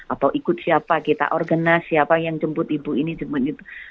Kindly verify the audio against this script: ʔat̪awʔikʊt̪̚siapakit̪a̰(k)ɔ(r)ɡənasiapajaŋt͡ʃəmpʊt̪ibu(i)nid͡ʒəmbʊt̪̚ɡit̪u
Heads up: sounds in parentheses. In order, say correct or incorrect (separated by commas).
incorrect, correct, correct